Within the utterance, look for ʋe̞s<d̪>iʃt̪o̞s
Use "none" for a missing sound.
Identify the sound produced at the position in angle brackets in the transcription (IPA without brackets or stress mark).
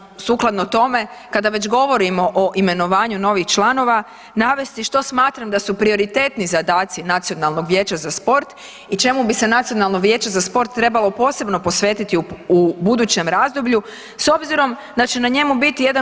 t̪